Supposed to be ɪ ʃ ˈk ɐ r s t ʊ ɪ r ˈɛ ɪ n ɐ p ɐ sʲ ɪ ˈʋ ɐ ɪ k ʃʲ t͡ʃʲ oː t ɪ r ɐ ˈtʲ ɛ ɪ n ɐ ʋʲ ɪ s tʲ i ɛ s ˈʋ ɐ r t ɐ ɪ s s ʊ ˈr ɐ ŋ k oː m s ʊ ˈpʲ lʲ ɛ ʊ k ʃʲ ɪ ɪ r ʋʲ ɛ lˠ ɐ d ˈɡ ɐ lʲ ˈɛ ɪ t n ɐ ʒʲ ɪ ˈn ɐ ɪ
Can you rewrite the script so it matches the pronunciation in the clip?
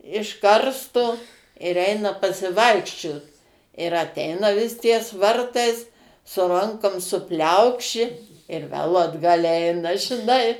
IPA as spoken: ɪ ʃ ˈk ɐ r s t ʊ ɪ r ˈɛ ɪ n ɐ p ɐ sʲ ɪ ˈʋ ɐ ɪ k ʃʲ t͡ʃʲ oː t ɪ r ɐ ˈtʲ ɛ ɪ n ɐ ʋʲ ɪ s tʲ i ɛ s ˈʋ ɐ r t ɐ ɪ s s ʊ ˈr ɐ ŋ k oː m s ʊ ˈpʲ lʲ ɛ ʊ k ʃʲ ɪ ɪ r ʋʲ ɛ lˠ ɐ d ˈɡ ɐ lʲ ˈɛ ɪ n ɐ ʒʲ ɪ ˈn ɐ ɪ